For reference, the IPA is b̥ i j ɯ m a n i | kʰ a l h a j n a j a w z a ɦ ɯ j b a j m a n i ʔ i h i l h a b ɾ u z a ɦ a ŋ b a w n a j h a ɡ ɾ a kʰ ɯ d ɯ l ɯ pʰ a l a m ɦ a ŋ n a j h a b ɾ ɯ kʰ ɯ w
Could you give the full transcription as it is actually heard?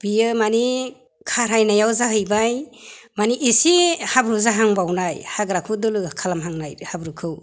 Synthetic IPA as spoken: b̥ i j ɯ m a n i | kʰ a ɾ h a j n a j a w z a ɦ ɯ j b a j m a n i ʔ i s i h a b ɾ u z a ɦ a ŋ b a w n a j h a ɡ ɾ a kʰ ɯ d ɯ l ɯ kʰ a l a m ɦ a ŋ n a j h a b ɾ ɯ kʰ ɯ w

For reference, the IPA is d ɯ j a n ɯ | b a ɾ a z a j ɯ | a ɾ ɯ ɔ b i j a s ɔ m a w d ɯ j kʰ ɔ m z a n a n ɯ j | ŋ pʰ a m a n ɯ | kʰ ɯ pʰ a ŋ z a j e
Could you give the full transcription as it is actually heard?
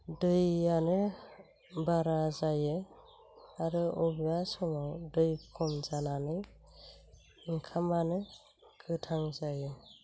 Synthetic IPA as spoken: d ɯ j a n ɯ | b a ɾ a z a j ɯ | a ɾ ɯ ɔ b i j a s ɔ m a w d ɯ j kʰ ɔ m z a n a n ɯ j | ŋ kʰ a m a n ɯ | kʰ ɯ tʰ a ŋ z a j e

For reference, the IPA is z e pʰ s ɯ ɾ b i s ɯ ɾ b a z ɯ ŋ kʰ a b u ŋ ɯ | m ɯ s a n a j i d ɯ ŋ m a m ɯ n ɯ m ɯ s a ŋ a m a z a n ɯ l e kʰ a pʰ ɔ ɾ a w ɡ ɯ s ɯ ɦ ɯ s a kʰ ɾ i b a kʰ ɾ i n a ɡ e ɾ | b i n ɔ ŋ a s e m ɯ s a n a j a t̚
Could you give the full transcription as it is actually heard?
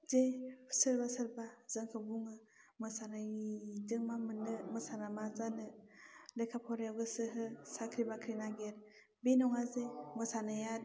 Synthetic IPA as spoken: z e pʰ s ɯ ɾ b a s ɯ ɾ b a z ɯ ŋ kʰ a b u ŋ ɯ | m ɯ s a n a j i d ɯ ŋ m a m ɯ n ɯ m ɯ s a n a m a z a n ɯ l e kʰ a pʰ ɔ ɾ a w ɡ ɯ s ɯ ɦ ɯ s a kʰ ɾ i b a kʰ ɾ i n a ɡ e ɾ | b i n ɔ ŋ a z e m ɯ s a n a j a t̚

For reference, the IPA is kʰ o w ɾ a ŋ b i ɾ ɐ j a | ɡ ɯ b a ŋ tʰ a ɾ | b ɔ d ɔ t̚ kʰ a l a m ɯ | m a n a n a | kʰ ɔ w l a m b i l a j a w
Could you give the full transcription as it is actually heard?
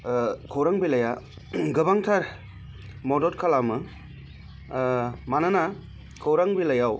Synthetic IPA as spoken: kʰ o w ɾ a ŋ b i l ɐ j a | ɡ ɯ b a ŋ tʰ a ɾ | m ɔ d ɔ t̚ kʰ a l a m ɯ | m a n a n a | kʰ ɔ w ɾ a ŋ b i l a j a w

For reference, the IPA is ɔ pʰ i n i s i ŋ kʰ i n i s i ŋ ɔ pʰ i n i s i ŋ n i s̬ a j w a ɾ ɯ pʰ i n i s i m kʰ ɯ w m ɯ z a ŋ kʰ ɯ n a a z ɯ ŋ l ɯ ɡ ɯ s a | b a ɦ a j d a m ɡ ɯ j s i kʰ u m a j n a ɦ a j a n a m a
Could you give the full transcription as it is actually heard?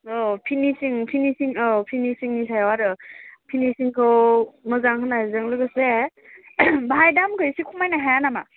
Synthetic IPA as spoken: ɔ pʰ i n i s i ŋ pʰ i n i s i ŋ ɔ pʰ i n i s i ŋ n i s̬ a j w a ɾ ɯ pʰ i n i s i ŋ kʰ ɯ w m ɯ z a ŋ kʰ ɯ n a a z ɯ ŋ l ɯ ɡ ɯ s e | b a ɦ a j d a m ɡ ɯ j s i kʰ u m a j n a ɦ a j a n a m a

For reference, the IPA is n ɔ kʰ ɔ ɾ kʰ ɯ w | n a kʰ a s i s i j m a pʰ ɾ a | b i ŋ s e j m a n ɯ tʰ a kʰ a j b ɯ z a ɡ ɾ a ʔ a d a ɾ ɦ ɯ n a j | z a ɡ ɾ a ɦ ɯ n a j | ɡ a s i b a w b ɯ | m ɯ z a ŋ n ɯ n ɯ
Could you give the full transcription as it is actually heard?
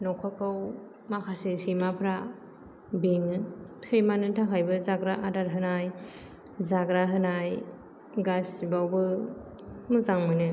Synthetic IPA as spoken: n ɔ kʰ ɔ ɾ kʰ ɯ w | m a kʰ a s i s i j m a pʰ ɾ a | b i ŋ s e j m a n ɯ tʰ a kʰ a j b ɯ z a ɡ ɾ a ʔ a d a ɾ ɦ ɯ n a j | z a ɡ ɾ a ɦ ɯ n a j | ɡ a s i b a w b ɯ | m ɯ z a ŋ m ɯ n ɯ

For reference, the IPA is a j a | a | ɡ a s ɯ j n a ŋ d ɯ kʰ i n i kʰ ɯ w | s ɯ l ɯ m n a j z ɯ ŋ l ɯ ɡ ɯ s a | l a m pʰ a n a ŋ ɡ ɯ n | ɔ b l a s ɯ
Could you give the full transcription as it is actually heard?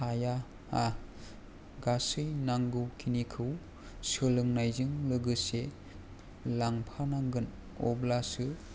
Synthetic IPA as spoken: a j a | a | ɡ a s ɯ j n a ŋ ɡ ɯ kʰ i n i kʰ ɯ w | s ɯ l ɯ ŋ n a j z ɯ ŋ l ɯ ɡ ɯ s e | l a ŋ pʰ a n a ŋ ɡ ɯ n | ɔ b l a s ɯ

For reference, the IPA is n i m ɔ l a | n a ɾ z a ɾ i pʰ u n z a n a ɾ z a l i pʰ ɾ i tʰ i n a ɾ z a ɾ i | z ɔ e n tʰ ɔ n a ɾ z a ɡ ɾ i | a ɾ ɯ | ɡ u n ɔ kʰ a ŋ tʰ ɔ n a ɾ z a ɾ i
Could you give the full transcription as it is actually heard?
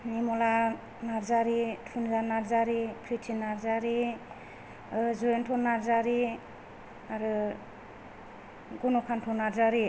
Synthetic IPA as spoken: n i m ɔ l a | n a ɾ z a ɾ i tʰ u n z a n a ɾ z a ɾ i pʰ ɾ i tʰ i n a ɾ z a ɾ i | z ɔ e n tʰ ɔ n a ɾ z a ɾ i | a ɾ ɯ | ɡ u n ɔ kʰ a n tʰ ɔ n a ɾ z a ɾ i

